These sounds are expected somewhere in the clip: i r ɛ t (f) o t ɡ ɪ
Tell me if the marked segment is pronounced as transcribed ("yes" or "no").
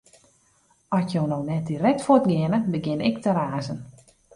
yes